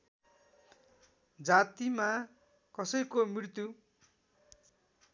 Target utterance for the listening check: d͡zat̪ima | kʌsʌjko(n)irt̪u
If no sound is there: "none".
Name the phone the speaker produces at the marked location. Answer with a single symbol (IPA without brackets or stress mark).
m